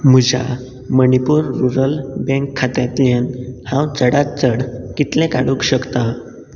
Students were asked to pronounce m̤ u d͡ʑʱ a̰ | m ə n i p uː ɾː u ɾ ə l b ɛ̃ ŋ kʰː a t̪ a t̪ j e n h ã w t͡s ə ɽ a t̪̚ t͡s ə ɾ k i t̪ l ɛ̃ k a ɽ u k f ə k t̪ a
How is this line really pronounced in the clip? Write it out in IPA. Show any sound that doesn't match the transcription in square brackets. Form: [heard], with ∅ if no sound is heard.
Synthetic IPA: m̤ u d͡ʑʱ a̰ | m ə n i p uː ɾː u ɾ ə l b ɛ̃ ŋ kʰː a t̪ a t̪ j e n h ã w t͡s ə ɽ a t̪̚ t͡s ə [ɽ] k i t̪ l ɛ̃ k a ɽ u k [ɕ] ə k t̪ a